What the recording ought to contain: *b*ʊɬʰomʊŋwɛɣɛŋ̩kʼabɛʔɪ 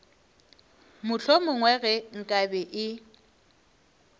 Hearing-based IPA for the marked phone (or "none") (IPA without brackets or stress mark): m